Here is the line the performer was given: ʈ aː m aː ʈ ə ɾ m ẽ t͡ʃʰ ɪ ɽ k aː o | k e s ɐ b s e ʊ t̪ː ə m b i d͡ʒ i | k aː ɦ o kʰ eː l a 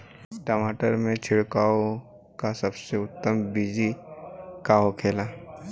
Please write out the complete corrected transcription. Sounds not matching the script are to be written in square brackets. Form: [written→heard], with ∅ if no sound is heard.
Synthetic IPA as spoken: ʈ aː m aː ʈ ə ɾ m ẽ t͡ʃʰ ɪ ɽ k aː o | k [e→a] s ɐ b s e ʊ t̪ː ə m b i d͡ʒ i | k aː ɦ o kʰ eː l a